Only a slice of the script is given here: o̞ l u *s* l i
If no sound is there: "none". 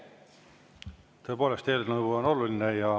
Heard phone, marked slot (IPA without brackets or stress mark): none